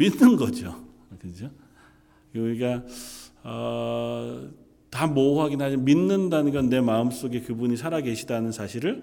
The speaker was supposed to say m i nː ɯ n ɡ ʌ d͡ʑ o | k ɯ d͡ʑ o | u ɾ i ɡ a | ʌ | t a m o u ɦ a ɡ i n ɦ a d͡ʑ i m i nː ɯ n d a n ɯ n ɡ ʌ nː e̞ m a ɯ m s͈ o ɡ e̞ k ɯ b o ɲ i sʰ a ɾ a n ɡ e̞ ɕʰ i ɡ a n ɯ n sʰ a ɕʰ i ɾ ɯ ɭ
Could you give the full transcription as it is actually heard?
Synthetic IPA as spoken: m i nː ɯ n ɡ ʌ d͡ʑ o | k ɯ d͡ʑ o | u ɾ i ɡ a | ʌ | t a m o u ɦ a ɡ i n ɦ a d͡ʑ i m i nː ɯ n d a n ɯ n ɡ ʌ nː e̞ m a ɯ m s͈ o ɡ e̞ k ɯ b u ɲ i sʰ a ɾ a ɡ e̞ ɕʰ i d a n ɯ n sʰ a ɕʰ i ɾ ɯ ɭ